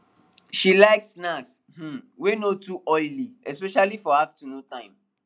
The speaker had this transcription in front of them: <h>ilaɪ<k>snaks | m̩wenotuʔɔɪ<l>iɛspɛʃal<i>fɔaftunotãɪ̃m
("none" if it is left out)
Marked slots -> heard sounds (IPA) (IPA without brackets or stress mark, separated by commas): ʃ, k, l, i